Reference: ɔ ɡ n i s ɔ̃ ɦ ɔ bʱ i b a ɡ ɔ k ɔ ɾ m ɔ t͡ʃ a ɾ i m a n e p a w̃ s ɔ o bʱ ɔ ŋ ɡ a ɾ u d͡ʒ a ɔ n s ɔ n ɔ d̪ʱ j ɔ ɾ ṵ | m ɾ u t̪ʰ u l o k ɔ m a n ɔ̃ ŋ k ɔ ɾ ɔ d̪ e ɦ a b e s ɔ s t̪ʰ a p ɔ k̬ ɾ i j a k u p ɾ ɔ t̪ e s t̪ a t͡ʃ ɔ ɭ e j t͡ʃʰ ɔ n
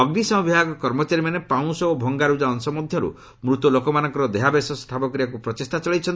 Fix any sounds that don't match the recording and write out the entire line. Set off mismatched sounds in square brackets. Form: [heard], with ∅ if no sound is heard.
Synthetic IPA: ɔ ɡ n i s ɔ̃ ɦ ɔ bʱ i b a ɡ ɔ k ɔ ɾ m ɔ t͡ʃ a ɾ i m a n e p a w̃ s ɔ o bʱ ɔ ŋ ɡ a ɾ u d͡ʒ a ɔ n s ɔ [m] ɔ d̪ʱ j ɔ ɾ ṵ | m ɾ u [t̪] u l o k ɔ m a n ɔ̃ ŋ k ɔ ɾ ɔ d̪ e ɦ a b e s ɔ s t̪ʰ a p ɔ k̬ ɾ i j a k u p ɾ ɔ t̪ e s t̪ a t͡ʃ ɔ ɭ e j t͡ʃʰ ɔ n